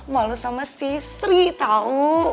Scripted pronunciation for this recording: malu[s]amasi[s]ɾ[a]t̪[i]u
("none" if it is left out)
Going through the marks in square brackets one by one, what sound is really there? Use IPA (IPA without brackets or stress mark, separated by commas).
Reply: s, s, i, a